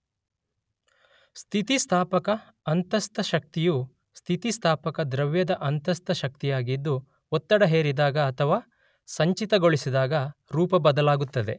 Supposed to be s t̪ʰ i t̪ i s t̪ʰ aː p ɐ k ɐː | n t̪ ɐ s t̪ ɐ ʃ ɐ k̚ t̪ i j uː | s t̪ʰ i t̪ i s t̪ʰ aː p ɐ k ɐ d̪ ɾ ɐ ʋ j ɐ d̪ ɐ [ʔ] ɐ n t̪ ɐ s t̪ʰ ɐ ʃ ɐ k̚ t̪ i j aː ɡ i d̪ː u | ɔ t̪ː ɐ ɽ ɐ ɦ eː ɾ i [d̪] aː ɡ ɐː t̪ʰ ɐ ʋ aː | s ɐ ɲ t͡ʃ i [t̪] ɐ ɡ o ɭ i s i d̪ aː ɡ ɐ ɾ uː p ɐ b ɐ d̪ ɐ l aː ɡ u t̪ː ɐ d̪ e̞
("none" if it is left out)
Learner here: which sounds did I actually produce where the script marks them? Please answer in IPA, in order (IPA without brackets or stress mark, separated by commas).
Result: ʔ, d̪, t̪